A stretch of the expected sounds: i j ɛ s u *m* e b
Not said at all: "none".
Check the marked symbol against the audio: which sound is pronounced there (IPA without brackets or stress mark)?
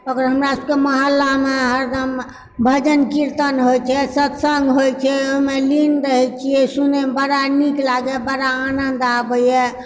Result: n